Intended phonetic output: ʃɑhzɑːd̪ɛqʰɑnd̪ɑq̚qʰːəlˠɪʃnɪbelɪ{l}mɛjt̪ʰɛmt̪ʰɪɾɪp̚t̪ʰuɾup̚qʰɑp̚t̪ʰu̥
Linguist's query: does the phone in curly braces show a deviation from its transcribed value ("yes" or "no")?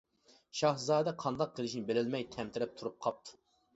no